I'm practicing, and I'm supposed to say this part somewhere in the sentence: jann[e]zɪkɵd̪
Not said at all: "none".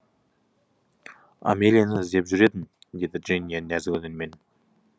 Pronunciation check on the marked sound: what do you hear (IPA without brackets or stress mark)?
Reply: æ